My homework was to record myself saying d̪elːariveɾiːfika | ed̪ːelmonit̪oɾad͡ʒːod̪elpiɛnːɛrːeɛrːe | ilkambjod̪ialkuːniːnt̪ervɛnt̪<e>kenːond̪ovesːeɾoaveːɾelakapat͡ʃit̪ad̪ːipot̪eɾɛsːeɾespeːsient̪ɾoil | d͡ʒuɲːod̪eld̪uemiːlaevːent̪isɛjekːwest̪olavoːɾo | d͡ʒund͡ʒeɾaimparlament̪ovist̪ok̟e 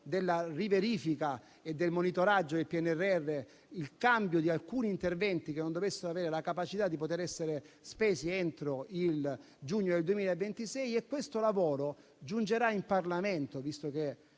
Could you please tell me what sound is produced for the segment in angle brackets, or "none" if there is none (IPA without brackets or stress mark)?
i